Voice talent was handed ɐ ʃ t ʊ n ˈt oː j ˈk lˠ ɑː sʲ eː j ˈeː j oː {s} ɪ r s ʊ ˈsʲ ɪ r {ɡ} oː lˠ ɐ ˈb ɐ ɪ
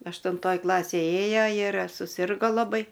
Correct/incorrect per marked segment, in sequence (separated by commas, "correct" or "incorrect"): incorrect, correct